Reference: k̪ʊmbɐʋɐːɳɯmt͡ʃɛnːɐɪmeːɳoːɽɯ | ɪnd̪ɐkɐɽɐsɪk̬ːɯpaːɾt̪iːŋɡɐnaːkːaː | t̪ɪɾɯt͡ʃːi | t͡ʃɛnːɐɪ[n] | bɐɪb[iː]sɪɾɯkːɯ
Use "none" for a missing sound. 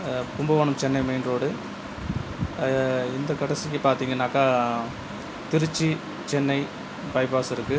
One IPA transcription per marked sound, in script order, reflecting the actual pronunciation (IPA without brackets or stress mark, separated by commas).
none, aː